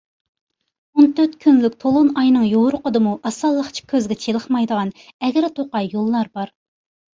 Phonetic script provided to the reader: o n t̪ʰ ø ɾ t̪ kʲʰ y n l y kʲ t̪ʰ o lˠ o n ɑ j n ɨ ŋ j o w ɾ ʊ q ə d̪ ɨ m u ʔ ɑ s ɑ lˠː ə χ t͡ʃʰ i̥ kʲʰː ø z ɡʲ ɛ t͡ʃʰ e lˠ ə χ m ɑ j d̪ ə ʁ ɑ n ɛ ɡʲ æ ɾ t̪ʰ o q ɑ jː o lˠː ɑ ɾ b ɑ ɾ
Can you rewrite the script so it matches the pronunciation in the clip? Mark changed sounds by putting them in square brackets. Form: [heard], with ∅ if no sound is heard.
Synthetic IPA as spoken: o n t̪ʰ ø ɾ t̪ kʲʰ y n l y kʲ t̪ʰ o lˠ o n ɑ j n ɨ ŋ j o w ɾ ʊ q ə d̪ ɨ m u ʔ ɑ s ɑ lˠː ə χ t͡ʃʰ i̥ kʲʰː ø z ɡʲ ɛ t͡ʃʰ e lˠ ə χ m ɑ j d̪ ə ʁ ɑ n ɛ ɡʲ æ ɾ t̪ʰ o q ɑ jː o lˠː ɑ ɾ b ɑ ɾ

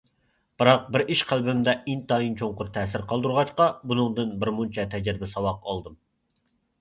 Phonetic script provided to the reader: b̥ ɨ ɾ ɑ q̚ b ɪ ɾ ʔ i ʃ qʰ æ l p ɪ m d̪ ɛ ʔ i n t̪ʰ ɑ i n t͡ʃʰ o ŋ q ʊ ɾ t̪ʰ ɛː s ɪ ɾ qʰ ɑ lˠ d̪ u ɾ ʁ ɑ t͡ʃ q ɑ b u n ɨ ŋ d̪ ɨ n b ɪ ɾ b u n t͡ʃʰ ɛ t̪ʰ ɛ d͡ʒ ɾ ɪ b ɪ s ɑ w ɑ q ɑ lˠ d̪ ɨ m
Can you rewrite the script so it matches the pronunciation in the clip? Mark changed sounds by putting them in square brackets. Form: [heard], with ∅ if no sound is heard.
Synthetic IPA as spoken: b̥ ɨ ɾ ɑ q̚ b ɪ ɾ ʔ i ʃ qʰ æ l [b] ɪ m d̪ ɛ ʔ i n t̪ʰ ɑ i n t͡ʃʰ o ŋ q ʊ ɾ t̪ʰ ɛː s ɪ ɾ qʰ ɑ lˠ d̪ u ɾ ʁ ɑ t͡ʃ q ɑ b u n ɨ ŋ d̪ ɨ n b ɪ ɾ [m] u n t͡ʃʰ ɛ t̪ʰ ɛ d͡ʒ ɾ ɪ b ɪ s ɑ w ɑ q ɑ lˠ d̪ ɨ m

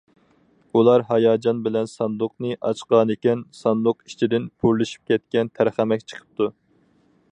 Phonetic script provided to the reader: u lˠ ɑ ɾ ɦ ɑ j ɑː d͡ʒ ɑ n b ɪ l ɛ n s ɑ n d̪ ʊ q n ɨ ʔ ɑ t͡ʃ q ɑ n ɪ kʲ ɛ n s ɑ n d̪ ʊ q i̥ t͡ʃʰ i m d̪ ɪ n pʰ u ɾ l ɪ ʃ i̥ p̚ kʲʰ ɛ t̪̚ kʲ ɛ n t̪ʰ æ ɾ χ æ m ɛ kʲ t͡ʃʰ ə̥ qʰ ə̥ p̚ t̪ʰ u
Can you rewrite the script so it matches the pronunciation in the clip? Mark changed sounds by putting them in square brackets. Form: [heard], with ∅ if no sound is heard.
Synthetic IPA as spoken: u lˠ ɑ ɾ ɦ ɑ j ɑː d͡ʒ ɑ n b ɪ l ɛ n s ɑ n d̪ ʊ q n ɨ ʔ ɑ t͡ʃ q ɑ n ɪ kʲ ɛ n s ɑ n d̪ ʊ q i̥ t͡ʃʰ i [∅] d̪ ɪ n pʰ u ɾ l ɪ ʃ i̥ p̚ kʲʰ ɛ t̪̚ kʲ ɛ n t̪ʰ æ ɾ χ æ m ɛ kʲ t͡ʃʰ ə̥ qʰ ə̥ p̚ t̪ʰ u

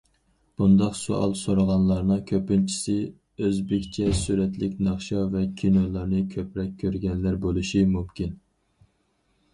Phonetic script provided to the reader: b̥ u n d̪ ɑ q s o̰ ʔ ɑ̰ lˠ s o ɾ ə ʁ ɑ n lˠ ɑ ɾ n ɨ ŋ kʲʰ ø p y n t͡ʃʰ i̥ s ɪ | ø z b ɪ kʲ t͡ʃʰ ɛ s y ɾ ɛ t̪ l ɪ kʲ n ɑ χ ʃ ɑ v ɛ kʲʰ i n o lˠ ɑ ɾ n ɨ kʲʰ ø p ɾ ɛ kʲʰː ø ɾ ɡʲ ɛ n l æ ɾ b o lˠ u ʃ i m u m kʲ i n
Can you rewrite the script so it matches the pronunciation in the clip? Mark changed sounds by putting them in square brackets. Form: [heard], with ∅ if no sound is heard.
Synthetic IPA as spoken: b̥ u n d̪ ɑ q s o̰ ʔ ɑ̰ lˠ s o ɾ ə ʁ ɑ n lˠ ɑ ɾ n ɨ ŋ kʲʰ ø p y n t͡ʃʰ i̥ s ɪ | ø z b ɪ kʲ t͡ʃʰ ɛ s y ɾ ɛ t̪ l ɪ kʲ n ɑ χ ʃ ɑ v ɛ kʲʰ i n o lˠ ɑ ɾ n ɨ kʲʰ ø p ɾ ɛ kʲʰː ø ɾ ɡʲ ɛ n l æ ɾ b o lˠ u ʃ i m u m kʲ i n

